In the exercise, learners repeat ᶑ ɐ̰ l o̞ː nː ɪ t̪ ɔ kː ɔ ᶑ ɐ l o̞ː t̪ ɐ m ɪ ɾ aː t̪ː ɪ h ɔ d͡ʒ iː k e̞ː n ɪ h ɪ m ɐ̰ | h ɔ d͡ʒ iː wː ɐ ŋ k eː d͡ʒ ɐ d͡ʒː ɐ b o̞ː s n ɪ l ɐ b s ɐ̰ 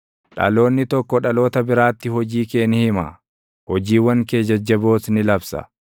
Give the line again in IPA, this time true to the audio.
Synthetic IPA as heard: ᶑ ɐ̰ l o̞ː nː ɪ t̪ ɔ kː ɔ ᶑ ɐ l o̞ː t̪ ɐ b ɪ ɾ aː t̪ː ɪ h ɔ d͡ʒ iː k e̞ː n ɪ h ɪ m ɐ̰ | h ɔ d͡ʒ iː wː ɐ ŋ k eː d͡ʒ ɐ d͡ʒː ɐ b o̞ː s n ɪ l ɐ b s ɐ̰